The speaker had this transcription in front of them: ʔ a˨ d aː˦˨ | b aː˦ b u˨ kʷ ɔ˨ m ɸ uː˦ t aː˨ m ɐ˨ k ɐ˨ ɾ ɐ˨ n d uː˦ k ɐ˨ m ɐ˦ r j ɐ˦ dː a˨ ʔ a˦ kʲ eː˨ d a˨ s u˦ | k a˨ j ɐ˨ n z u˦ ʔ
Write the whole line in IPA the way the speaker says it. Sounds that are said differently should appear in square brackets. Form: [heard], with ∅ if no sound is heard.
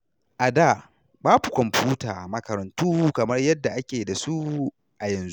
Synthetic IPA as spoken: ʔ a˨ d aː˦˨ | b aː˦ b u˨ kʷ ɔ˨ m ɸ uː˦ t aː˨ m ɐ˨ k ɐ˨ ɾ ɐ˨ n [t] uː˦ k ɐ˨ m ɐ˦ r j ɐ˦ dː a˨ ʔ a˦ kʲ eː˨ d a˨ s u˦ | [ʔ] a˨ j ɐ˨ n z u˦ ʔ